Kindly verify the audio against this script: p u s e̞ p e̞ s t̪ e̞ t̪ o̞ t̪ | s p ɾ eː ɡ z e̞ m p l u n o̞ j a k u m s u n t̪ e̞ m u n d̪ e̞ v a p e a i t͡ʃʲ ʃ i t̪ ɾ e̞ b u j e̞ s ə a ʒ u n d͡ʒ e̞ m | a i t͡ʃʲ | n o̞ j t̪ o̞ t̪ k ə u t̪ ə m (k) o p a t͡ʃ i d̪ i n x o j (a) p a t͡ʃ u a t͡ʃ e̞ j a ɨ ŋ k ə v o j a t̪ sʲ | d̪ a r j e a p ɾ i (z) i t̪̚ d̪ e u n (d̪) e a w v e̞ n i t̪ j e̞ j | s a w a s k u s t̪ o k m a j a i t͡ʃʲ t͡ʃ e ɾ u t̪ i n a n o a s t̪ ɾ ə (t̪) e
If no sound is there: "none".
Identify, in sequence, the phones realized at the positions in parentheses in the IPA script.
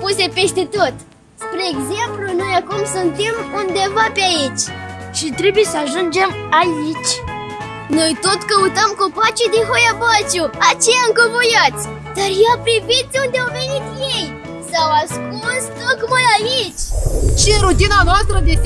k, a, v, d̪, d̪

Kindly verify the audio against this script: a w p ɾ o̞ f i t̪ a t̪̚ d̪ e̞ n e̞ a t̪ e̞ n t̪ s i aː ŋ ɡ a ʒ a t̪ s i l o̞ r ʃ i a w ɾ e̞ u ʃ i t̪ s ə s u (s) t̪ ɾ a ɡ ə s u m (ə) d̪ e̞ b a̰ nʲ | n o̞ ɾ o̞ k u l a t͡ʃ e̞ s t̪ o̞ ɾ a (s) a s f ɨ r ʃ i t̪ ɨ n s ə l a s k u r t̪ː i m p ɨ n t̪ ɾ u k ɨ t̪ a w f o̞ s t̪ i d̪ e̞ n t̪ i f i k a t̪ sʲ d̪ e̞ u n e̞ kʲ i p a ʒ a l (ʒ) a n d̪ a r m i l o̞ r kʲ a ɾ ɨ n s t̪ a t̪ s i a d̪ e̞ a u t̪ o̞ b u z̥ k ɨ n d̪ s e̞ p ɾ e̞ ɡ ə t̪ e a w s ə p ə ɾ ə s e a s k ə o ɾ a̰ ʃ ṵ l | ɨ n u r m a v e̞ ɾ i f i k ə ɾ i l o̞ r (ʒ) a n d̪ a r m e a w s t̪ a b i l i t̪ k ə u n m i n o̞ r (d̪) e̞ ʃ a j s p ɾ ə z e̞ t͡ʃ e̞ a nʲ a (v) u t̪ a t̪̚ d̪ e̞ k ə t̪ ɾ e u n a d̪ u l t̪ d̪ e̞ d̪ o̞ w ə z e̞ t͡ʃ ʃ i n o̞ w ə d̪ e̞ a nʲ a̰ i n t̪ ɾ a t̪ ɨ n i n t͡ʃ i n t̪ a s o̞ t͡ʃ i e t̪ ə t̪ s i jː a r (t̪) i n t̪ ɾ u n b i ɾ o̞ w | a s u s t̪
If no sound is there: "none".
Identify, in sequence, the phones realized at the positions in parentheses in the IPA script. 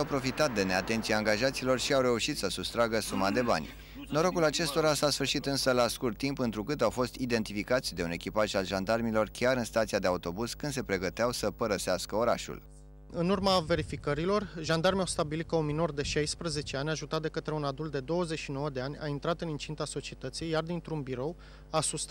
s, a, s, ʒ, ʒ, d̪, ʒ, d̪

